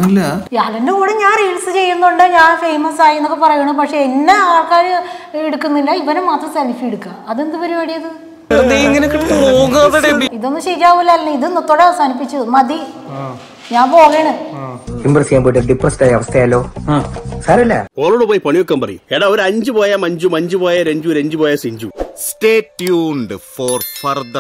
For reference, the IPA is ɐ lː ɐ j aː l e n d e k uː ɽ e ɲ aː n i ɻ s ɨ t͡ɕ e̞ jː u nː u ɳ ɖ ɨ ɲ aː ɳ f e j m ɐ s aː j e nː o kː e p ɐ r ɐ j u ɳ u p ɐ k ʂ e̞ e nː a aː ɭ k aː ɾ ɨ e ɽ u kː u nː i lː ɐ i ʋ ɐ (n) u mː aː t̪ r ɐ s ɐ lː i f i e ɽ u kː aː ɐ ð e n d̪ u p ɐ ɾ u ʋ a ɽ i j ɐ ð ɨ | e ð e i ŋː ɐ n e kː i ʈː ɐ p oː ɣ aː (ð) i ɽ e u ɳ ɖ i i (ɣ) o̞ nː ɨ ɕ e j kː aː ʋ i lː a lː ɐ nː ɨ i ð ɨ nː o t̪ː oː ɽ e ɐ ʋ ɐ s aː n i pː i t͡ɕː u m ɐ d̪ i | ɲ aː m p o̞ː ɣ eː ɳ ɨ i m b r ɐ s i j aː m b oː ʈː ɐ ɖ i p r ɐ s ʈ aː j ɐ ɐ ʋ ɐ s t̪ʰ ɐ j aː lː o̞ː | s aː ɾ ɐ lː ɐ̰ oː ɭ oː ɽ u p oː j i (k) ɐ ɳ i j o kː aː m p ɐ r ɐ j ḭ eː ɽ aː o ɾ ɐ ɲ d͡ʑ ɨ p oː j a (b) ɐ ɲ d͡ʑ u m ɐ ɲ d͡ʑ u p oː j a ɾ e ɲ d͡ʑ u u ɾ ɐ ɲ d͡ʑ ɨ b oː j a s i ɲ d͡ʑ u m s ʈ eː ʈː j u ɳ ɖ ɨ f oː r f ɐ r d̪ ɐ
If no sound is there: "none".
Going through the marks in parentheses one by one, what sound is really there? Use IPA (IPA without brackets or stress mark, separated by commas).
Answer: n, ð, ð, p, m